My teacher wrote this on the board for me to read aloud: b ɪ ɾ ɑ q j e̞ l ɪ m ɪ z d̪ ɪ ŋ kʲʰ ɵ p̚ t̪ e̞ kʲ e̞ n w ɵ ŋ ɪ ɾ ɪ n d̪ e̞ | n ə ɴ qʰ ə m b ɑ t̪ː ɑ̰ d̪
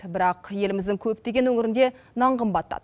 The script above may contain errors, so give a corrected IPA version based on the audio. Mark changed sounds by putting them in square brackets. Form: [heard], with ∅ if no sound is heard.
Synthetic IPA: b ɪ ɾ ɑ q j e̞ l ɪ m ɪ z d̪ ɪ ŋ kʲʰ ɵ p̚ t̪ e̞ [ɡʲ] e̞ n w ɵ ŋ ɪ ɾ ɪ n d̪ e̞ | n [ɑ] ɴ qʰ ə m b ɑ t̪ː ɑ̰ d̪